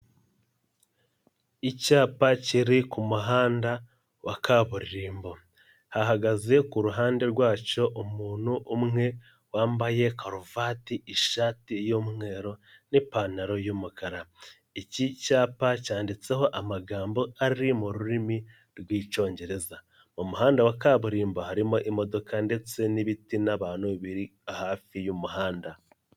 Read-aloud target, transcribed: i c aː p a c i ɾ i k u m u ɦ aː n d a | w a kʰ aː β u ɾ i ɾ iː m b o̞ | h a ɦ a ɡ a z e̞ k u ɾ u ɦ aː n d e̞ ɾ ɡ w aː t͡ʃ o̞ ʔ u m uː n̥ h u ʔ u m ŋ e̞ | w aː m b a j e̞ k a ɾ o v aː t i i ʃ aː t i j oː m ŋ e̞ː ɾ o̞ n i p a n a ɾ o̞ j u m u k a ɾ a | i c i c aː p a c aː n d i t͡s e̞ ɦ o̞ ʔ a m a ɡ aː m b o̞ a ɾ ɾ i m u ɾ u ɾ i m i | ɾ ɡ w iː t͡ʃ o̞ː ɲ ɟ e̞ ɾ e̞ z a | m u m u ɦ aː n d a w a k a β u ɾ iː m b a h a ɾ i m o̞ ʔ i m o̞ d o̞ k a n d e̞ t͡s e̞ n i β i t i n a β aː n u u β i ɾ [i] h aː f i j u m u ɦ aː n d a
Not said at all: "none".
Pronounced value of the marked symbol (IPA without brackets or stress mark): i